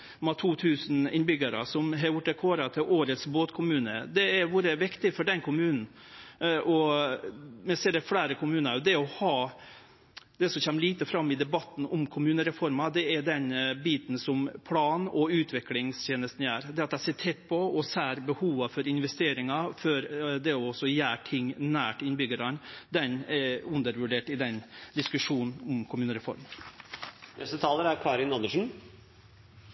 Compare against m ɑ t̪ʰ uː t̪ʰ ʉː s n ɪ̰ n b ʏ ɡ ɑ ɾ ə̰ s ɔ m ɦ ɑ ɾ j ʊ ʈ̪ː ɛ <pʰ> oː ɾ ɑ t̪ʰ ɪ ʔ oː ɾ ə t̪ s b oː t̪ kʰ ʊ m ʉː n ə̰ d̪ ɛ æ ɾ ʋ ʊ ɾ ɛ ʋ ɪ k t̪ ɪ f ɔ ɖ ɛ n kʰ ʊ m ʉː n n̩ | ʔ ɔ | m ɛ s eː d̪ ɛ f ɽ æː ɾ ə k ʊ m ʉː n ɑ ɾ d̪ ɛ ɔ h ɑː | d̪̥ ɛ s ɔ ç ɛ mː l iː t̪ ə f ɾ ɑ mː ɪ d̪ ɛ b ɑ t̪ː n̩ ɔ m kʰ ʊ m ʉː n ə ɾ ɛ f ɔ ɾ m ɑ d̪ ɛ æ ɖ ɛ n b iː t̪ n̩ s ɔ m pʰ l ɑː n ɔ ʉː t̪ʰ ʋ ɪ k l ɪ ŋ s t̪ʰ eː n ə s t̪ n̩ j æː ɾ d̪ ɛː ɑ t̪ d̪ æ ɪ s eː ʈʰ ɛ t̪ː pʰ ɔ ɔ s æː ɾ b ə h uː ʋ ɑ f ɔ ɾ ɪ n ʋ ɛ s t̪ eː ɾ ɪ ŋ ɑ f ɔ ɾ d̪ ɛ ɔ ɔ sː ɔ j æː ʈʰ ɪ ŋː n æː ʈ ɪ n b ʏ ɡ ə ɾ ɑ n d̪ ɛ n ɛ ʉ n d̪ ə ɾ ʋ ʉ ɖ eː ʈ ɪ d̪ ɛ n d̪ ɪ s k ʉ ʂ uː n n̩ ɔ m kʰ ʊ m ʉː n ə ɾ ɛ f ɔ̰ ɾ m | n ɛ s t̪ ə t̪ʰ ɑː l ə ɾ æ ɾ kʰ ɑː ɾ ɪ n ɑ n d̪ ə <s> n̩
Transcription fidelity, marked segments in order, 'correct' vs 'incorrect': incorrect: kʰ, incorrect: ʂ

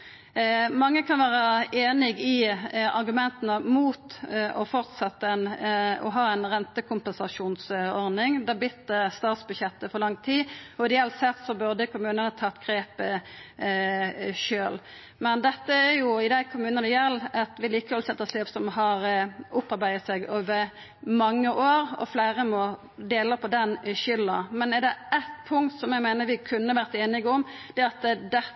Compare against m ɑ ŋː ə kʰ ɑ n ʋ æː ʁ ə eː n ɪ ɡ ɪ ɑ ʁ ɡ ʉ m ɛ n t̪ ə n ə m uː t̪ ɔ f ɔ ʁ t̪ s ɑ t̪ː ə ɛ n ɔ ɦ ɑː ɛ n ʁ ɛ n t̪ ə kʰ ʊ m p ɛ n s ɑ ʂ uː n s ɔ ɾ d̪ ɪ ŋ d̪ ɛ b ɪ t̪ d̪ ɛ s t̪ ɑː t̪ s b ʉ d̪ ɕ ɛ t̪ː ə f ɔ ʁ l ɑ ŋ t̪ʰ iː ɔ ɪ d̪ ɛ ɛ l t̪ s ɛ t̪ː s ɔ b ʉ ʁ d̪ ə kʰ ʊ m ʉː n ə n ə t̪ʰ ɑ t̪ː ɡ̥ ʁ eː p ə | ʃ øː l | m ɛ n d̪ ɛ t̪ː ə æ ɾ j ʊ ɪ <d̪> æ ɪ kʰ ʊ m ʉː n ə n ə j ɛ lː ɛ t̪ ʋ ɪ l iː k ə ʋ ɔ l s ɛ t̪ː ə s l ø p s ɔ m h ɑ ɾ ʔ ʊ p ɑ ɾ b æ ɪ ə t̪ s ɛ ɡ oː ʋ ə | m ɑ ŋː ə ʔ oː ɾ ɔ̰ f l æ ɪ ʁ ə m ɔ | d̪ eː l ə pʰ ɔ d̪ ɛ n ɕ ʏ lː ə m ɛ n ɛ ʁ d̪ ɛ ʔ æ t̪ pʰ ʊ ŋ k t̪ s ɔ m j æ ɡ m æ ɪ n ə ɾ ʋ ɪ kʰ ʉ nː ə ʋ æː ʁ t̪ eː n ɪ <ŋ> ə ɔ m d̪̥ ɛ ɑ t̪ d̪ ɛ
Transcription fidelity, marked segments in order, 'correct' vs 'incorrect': correct, incorrect: ɡ

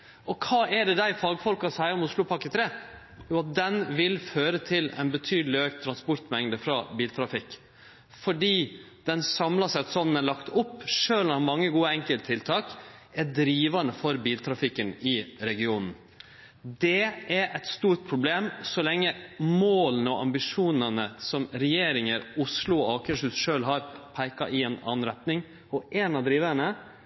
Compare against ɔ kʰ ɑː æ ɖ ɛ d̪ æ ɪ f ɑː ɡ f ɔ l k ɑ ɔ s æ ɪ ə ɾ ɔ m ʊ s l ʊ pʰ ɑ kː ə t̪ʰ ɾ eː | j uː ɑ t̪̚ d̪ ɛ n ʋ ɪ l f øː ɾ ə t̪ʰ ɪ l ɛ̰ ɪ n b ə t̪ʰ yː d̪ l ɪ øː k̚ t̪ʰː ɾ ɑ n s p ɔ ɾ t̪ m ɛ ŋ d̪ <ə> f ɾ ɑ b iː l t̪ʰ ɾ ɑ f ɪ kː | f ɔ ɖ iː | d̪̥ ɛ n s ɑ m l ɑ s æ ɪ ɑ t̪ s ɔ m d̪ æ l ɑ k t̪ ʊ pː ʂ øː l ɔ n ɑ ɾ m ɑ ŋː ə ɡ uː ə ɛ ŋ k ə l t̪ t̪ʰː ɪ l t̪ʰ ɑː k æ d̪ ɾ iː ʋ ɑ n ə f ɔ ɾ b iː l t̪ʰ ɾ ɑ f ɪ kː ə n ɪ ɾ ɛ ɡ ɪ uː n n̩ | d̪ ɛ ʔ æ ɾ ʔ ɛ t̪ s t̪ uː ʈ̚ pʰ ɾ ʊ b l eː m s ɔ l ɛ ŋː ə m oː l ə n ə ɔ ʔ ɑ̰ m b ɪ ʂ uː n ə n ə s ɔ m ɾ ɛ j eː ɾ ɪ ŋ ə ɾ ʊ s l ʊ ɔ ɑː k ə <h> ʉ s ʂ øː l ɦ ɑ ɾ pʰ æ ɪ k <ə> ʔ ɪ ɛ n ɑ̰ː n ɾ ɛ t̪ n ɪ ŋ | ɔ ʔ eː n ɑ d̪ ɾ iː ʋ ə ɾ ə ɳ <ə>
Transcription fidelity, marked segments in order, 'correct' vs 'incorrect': correct, incorrect: ʂ, incorrect: ɑ, correct

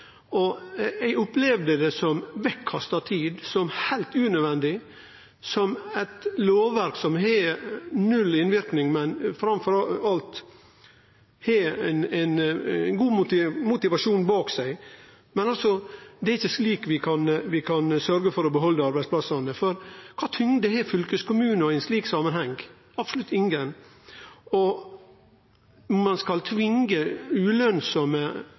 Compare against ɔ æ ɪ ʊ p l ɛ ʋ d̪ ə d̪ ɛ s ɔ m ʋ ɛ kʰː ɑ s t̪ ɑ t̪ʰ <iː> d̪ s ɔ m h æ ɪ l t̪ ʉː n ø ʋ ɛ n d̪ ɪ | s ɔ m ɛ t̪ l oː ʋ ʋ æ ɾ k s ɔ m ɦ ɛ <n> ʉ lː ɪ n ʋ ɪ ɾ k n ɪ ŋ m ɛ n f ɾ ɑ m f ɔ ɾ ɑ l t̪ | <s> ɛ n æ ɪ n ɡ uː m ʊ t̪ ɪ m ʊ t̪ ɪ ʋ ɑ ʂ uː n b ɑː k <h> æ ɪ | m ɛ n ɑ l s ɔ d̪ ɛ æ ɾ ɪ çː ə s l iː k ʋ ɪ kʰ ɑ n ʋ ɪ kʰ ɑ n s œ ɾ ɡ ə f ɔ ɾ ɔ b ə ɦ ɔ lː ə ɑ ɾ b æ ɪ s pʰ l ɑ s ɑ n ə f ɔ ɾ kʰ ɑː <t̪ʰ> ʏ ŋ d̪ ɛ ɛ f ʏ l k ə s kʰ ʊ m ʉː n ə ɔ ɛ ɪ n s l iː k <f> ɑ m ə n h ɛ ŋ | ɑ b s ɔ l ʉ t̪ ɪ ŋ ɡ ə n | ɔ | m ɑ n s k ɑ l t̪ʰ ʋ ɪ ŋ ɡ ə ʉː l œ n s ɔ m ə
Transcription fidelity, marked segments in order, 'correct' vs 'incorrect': correct, correct, incorrect: h, incorrect: s, correct, incorrect: s

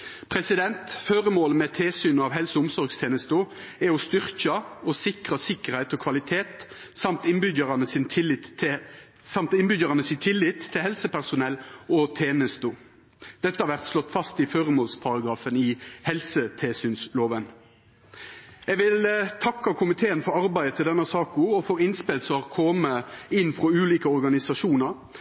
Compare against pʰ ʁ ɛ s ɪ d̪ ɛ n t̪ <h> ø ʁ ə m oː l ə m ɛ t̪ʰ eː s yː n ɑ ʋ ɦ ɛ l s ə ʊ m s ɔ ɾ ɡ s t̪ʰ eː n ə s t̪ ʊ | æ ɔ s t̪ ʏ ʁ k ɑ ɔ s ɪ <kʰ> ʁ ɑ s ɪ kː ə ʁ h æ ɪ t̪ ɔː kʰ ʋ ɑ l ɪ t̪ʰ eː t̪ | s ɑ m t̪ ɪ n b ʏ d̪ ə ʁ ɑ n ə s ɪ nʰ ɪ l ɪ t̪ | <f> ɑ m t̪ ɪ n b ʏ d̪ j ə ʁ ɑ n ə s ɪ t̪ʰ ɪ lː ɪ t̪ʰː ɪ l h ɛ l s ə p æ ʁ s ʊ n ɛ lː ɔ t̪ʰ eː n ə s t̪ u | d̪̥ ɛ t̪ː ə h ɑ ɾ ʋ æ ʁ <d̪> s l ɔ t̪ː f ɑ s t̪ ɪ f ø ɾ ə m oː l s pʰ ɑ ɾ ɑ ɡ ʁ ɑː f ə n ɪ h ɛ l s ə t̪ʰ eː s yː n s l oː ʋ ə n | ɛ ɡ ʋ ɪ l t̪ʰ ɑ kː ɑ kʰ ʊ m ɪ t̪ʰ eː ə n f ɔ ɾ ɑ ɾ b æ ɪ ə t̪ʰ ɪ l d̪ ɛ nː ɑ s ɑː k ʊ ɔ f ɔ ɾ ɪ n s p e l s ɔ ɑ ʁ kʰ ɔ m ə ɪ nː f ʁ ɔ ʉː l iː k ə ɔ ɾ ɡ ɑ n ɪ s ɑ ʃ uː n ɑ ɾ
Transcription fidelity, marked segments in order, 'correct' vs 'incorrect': incorrect: f, incorrect: k, incorrect: s, incorrect: t̪

